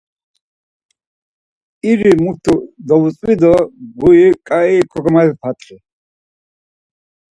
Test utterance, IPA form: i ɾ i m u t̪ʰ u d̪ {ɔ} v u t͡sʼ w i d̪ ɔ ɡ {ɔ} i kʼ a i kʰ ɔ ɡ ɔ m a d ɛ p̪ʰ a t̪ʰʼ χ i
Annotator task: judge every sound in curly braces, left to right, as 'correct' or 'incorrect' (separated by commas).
correct, incorrect